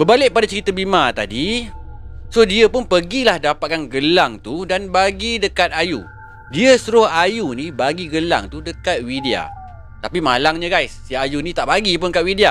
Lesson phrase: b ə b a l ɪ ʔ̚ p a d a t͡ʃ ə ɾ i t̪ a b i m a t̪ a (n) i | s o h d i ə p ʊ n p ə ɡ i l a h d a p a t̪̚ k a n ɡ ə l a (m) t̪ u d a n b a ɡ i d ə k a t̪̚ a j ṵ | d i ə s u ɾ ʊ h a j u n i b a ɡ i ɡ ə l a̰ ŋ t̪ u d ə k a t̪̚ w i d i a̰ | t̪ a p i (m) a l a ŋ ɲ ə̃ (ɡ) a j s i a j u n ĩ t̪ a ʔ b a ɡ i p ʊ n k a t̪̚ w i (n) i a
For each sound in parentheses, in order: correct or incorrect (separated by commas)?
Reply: incorrect, incorrect, correct, correct, incorrect